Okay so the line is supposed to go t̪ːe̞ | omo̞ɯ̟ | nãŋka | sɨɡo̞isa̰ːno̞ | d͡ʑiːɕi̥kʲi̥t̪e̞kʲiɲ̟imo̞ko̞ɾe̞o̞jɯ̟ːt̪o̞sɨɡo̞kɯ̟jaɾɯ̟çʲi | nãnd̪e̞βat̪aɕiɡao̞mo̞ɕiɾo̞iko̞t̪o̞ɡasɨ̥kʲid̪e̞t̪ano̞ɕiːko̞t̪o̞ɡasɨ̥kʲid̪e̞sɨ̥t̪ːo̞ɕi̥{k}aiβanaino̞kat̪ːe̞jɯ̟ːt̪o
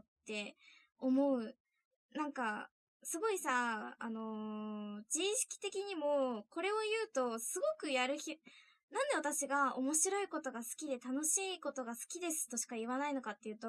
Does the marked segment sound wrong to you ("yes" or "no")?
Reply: no